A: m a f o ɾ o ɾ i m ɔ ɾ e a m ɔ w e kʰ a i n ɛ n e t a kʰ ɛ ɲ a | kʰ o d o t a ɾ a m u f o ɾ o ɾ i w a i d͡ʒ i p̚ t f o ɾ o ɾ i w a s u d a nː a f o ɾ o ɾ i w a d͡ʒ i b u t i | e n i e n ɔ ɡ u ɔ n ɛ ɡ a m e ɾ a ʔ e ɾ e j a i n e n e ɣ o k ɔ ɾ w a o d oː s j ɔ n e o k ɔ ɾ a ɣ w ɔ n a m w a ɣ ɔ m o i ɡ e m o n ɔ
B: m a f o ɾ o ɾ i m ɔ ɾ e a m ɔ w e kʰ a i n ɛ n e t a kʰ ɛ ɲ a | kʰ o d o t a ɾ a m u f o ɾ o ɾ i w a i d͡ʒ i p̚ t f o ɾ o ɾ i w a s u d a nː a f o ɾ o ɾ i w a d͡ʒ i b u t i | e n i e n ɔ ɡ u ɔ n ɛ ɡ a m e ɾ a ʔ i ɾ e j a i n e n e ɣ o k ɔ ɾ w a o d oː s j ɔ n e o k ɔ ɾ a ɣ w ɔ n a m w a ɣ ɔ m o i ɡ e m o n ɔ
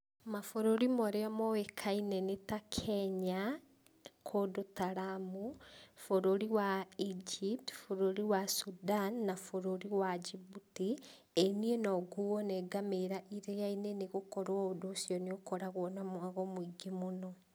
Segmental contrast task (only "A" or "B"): B